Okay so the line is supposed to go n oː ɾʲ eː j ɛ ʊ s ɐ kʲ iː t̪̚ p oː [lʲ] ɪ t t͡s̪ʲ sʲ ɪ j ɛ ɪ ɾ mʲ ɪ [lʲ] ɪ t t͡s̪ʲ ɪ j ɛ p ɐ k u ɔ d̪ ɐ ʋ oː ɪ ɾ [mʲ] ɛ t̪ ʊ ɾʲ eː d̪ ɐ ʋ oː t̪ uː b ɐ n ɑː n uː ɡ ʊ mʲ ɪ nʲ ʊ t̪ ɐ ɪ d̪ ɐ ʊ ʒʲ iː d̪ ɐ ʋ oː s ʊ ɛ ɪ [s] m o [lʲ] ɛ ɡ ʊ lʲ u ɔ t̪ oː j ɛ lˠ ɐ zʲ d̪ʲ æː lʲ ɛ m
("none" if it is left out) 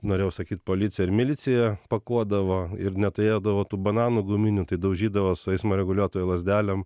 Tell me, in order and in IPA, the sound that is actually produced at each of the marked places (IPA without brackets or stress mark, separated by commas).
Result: lʲ, lʲ, nʲ, s, ɾʲ